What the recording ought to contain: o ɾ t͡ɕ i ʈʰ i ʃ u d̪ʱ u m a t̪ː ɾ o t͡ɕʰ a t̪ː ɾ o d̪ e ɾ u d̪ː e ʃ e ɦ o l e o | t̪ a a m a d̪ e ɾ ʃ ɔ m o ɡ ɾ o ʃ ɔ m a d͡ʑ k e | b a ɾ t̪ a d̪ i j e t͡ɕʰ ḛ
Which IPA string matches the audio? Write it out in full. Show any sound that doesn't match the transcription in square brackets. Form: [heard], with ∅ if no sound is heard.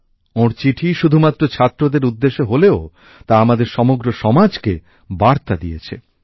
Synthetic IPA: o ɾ t͡ɕ i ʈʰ i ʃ u d̪ʱ u m a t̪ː ɾ o t͡ɕʰ a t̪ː ɾ o d̪ e ɾ u d̪ː e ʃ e ɦ o l e o | t̪ a a m a d̪ e ɾ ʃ ɔ m o ɡ ɾ o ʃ ɔ m a d͡ʑ k e | b a ɾ t̪ a d̪ i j e t͡ɕʰ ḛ